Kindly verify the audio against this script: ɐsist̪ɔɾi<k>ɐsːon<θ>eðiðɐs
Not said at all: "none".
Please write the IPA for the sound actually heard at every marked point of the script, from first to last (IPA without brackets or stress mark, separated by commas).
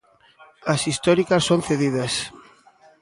k, θ